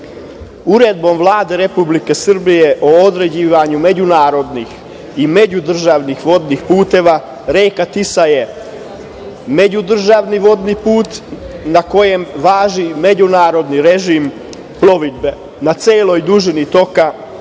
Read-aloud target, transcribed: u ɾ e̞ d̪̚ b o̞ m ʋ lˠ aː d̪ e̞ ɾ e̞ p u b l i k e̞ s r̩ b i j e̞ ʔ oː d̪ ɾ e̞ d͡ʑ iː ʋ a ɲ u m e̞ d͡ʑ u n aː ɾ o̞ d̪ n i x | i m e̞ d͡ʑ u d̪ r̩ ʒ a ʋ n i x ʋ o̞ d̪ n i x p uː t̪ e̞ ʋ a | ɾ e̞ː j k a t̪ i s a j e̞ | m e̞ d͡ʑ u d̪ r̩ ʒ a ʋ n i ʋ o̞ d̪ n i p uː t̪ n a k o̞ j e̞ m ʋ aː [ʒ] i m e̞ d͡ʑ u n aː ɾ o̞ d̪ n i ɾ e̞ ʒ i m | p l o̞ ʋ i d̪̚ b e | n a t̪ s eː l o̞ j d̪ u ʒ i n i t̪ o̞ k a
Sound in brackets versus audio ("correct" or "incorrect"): correct